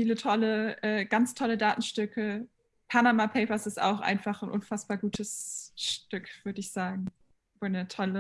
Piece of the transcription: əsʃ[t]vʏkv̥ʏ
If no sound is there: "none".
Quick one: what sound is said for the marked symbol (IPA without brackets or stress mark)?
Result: t